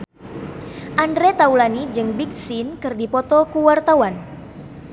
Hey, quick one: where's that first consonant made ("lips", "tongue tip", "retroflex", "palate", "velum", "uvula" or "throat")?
throat